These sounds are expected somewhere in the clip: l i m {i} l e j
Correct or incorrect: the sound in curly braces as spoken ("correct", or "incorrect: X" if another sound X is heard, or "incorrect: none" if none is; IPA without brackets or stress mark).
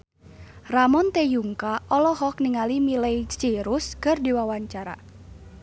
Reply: correct